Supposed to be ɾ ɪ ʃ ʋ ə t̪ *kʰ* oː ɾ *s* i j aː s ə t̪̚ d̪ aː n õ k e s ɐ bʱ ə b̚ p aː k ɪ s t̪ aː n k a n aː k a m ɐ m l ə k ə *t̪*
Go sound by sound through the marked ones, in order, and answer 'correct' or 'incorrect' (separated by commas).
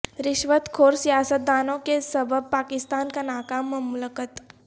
correct, correct, correct